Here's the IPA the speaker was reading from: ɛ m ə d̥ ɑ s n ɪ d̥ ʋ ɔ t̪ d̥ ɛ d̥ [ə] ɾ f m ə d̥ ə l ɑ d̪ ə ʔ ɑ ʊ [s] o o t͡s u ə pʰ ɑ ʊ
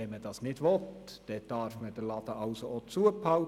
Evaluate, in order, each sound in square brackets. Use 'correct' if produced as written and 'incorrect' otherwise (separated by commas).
incorrect, correct